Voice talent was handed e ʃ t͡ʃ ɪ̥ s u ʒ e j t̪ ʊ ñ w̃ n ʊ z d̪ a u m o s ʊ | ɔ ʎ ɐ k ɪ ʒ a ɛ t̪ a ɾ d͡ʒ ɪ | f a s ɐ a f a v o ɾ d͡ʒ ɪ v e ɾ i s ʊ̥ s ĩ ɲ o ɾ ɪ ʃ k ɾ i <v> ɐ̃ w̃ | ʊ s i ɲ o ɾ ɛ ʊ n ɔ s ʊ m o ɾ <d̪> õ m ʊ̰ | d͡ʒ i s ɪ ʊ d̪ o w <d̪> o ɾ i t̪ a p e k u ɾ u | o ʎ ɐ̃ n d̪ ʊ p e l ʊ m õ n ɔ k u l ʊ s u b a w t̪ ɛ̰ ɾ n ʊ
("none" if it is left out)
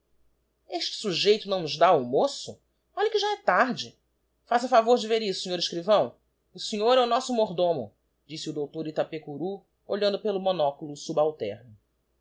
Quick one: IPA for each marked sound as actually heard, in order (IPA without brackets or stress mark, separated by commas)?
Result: v, d̪, t̪